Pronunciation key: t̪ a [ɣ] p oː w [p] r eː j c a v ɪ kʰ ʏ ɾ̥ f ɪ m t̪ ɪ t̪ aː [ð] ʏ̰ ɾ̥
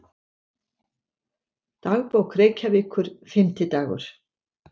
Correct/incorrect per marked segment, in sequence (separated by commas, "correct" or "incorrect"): correct, incorrect, incorrect